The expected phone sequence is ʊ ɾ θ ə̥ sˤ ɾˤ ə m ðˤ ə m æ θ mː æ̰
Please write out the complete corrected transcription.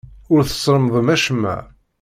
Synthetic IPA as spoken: ʊ ɾ θ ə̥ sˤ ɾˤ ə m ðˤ ə m æ ʃ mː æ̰